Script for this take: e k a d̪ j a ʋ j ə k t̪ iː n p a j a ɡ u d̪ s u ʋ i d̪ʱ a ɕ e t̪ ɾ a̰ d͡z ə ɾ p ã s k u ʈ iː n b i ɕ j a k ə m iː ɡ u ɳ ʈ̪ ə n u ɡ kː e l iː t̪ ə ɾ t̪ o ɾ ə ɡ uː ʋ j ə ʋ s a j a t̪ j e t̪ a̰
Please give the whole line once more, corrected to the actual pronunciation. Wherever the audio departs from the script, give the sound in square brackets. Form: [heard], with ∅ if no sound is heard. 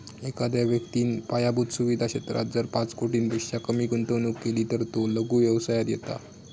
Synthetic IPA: e k a d̪ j a ʋ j ə k t̪ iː n p a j a [b] u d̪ s u ʋ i d̪ʱ a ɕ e t̪ ɾ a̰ d͡z ə ɾ p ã [t͡s] k [o] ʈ iː n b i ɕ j a k ə m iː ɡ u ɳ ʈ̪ ə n u [k] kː e l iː t̪ ə ɾ t̪ o [l] ə ɡ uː ʋ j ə ʋ s a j a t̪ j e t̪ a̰